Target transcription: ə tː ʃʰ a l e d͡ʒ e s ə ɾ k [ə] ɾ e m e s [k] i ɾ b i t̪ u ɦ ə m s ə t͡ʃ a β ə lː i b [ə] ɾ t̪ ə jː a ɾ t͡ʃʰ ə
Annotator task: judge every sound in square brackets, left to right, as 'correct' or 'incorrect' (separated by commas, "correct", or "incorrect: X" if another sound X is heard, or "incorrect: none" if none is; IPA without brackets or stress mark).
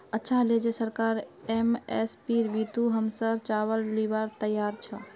incorrect: a, incorrect: p, incorrect: a